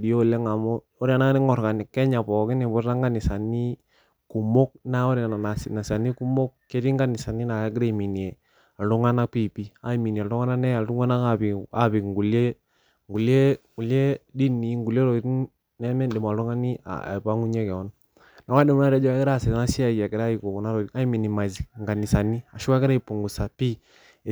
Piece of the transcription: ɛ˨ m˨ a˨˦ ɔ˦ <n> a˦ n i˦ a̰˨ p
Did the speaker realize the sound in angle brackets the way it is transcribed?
no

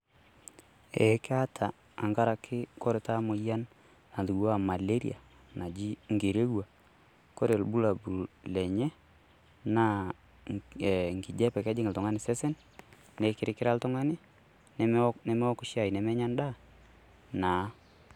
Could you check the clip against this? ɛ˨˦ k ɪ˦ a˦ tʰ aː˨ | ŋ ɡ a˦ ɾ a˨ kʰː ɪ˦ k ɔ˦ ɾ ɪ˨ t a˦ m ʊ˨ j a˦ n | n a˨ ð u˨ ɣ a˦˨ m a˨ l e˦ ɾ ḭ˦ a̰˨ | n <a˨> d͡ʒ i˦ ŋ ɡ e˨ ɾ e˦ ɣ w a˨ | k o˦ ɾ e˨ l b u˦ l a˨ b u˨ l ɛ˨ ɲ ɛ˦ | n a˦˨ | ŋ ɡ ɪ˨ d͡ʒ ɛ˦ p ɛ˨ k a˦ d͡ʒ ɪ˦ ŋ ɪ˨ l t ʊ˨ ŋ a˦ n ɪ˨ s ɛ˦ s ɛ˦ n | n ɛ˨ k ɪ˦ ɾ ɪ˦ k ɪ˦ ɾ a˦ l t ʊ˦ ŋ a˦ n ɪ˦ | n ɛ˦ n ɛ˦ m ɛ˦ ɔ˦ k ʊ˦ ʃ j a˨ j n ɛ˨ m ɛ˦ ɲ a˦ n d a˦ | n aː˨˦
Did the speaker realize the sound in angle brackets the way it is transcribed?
yes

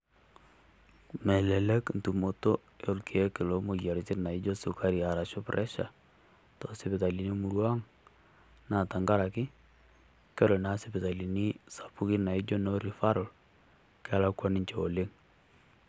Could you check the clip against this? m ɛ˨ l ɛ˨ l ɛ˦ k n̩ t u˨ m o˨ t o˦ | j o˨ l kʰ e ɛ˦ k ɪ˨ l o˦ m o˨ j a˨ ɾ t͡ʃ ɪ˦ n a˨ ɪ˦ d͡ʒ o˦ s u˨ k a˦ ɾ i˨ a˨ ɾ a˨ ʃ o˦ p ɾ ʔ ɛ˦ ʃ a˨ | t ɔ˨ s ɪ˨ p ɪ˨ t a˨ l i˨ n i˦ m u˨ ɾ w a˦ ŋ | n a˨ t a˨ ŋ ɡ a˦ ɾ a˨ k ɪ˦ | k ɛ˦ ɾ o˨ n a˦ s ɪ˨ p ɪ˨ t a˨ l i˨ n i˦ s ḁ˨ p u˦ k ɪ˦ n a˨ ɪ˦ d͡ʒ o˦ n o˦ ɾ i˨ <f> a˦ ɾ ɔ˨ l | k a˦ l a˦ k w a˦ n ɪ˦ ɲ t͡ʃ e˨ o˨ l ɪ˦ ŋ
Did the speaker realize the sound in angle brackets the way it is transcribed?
yes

